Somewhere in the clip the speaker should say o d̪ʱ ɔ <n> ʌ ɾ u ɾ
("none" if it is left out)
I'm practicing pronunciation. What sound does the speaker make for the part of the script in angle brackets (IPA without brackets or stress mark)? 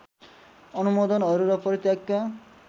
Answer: n